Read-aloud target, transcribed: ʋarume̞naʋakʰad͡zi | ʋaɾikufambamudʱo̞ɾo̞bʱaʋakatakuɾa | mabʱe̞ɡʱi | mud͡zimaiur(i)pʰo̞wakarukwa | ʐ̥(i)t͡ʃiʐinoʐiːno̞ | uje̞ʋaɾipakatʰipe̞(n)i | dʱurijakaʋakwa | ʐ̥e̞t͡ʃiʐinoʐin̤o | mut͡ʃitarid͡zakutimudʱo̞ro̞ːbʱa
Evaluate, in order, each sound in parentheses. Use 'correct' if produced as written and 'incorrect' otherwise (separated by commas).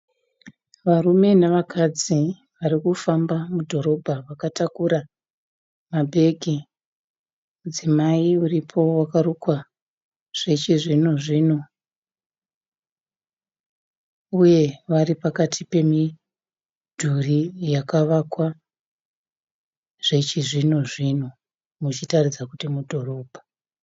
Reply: correct, incorrect, incorrect